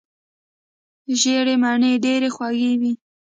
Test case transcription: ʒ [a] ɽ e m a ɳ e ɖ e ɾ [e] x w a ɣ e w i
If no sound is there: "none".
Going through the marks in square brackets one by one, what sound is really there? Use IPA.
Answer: e, e

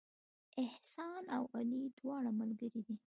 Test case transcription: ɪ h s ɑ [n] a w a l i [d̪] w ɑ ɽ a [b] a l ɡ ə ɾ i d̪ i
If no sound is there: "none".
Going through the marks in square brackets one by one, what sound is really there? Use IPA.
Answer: n, d̪, m

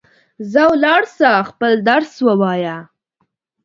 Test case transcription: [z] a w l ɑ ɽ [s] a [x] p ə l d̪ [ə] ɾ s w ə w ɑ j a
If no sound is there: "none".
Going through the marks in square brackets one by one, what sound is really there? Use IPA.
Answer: z, s, x, a

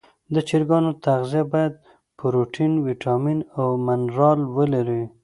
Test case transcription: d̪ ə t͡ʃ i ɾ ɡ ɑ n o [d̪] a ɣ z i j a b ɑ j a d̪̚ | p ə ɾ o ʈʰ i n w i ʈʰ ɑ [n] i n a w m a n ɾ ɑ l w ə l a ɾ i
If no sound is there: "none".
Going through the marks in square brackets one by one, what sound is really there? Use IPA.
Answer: t̪, m

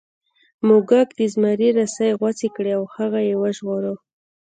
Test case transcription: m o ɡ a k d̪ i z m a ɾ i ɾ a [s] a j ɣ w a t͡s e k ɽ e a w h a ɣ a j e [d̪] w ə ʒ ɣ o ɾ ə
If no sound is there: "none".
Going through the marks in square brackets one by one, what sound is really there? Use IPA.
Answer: s, none

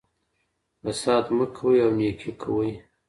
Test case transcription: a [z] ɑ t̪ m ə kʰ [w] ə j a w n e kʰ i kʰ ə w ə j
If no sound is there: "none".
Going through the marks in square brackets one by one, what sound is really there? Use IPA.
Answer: s, w

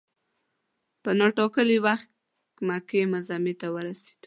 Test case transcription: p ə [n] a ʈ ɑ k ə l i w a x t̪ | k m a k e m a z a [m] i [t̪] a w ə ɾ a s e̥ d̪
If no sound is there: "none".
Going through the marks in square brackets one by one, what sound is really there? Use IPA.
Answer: n, m, t̪

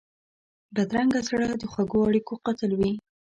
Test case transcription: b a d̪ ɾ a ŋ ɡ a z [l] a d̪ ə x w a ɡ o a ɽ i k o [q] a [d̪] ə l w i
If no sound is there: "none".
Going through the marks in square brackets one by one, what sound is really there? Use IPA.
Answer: ɽ, q, t̪

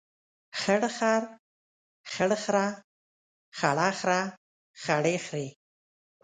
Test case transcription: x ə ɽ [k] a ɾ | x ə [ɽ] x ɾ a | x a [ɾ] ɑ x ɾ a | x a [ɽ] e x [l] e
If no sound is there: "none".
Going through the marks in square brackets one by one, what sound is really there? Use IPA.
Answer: x, ɽ, ɽ, ɽ, ɾ

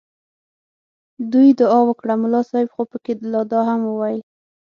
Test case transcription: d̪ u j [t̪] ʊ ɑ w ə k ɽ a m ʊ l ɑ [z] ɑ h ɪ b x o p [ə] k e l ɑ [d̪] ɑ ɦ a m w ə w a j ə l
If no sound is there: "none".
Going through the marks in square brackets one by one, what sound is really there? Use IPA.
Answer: d̪, s, ə, d̪

